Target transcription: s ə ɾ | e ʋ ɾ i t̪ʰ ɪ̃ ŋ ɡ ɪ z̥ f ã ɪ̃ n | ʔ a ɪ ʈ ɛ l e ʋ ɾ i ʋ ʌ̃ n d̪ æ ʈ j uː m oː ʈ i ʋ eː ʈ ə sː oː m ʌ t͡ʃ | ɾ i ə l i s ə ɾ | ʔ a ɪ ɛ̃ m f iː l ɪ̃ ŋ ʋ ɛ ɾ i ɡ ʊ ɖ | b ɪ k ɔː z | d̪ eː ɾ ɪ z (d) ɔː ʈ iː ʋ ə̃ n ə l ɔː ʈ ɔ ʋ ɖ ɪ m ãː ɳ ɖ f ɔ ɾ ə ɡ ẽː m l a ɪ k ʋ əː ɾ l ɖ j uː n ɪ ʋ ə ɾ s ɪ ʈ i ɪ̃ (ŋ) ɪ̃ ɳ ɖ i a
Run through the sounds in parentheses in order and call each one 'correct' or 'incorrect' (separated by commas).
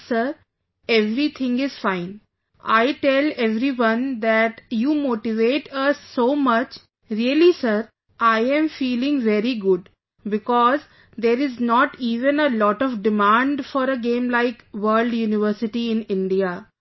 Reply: incorrect, incorrect